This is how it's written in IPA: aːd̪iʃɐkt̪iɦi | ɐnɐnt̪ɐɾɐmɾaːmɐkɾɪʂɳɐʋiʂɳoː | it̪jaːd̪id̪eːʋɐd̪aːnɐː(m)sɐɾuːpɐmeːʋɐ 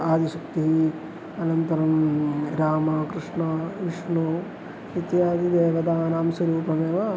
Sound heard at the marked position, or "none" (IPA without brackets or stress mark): m